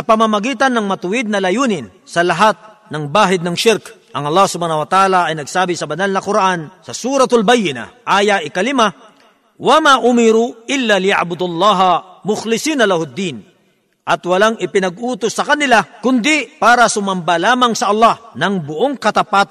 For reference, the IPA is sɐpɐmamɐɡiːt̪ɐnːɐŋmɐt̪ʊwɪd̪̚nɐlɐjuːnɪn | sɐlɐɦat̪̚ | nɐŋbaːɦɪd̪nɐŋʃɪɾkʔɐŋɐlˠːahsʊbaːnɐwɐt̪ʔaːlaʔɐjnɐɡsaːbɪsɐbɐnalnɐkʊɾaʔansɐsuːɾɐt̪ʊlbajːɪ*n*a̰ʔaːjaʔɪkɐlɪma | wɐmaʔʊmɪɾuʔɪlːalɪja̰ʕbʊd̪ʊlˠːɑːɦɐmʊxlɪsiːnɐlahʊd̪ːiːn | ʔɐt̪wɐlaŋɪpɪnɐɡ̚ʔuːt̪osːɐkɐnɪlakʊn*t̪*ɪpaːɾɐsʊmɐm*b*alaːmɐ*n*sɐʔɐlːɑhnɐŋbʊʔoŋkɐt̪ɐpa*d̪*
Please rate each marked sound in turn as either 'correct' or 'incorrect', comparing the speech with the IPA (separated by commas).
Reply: correct, incorrect, correct, incorrect, incorrect